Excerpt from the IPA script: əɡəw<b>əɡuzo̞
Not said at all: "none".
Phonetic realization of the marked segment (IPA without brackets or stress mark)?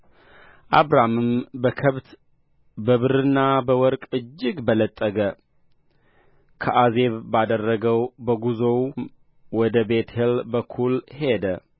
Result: b